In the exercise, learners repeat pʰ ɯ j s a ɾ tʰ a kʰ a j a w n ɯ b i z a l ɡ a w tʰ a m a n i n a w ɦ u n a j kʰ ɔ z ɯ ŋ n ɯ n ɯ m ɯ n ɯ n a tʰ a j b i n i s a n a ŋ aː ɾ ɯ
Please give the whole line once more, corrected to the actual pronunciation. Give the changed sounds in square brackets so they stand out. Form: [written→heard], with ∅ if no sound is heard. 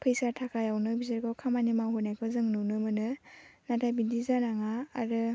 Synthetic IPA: pʰ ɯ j s a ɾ tʰ a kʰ a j a w n ɯ b i z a [l→ɾ] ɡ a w [tʰ→kʰ] a m a n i [n→m] a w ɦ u n a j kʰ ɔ z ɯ ŋ n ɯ n ɯ m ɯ n ɯ n a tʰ a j b i [n→d] i [s→z] a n a ŋ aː ɾ ɯ

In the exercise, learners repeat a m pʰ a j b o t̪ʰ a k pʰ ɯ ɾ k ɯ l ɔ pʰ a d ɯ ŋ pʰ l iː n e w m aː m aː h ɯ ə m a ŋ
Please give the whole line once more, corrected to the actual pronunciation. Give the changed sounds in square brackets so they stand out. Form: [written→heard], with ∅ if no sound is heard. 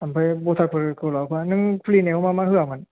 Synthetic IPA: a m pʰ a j b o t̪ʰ a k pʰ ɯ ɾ k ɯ l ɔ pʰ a [d→n] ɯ ŋ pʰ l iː n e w m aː m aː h ɯ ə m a [ŋ→n]

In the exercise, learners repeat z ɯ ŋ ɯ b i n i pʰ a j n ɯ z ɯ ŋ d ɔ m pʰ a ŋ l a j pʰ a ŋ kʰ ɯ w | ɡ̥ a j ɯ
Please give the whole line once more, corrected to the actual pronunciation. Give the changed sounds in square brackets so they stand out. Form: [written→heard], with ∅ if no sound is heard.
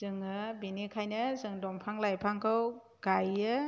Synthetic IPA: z ɯ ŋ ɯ b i n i [pʰ→kʰ] a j n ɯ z ɯ ŋ d ɔ m pʰ a ŋ l a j pʰ a ŋ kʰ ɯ w | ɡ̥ a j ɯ

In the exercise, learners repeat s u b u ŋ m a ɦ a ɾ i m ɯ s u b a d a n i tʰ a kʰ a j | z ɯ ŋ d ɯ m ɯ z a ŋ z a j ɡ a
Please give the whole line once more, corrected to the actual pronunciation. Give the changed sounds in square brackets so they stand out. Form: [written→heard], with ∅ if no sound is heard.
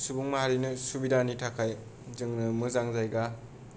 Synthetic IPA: s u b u ŋ m a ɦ a ɾ i [m→n] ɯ s u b [a→i] d a n i tʰ a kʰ a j | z ɯ ŋ [d→n] ɯ m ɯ z a ŋ z a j ɡ a

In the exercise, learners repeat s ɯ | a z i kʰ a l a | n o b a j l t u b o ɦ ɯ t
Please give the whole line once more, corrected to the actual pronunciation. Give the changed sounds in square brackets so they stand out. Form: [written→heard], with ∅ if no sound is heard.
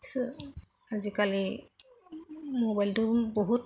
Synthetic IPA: s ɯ | a z i [kʰ→k] a l [a→i] | [n→m] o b a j l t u b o ɦ [ɯ→u] t

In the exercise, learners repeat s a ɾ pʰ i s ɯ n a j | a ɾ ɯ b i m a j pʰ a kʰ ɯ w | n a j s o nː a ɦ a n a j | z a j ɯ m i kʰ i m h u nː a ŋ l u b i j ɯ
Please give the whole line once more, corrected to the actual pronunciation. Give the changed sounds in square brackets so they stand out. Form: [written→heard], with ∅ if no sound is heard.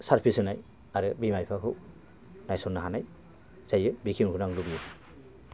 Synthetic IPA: s a ɾ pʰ i s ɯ n a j | a ɾ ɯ b i m a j pʰ a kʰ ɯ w | n a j s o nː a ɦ a n a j | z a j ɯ [m→b] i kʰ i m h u [nː→n] a ŋ l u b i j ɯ

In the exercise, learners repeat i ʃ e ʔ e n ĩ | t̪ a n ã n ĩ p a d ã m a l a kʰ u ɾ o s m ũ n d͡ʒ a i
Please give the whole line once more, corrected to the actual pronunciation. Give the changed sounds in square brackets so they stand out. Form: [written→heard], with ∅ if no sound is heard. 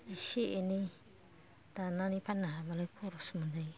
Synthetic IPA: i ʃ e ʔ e n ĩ | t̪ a n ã n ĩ p a [d→n] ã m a l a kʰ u ɾ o s m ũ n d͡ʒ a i

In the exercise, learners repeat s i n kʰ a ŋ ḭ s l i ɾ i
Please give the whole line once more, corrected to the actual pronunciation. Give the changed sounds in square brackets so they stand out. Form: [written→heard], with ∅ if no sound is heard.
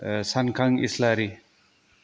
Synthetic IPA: s [i→a] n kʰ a ŋ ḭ s l [i→a] ɾ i

